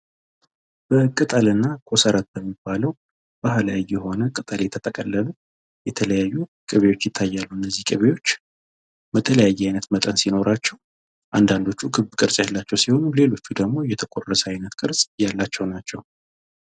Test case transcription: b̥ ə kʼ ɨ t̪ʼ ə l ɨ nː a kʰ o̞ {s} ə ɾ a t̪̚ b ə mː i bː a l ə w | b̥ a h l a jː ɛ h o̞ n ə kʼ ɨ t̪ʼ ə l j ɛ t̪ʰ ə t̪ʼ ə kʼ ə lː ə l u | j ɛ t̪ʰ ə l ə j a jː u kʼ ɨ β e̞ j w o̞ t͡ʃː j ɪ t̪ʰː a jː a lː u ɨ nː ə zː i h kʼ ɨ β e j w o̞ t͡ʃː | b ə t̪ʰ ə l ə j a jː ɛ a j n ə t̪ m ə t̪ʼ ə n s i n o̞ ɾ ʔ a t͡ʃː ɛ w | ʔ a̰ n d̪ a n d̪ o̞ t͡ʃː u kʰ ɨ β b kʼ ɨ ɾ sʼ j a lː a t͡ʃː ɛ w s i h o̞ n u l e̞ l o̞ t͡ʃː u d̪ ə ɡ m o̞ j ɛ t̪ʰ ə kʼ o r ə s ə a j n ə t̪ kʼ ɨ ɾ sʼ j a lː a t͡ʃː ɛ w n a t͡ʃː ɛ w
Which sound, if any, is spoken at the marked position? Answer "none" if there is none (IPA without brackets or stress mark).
s